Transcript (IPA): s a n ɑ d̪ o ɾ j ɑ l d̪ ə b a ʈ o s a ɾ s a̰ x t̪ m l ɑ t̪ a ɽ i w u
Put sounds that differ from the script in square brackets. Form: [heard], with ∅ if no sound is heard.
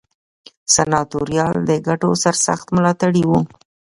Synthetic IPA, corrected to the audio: s a n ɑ [t̪] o ɾ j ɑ l d̪ ə [ɡ] a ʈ o s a ɾ s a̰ x t̪ m l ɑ t̪ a ɽ i w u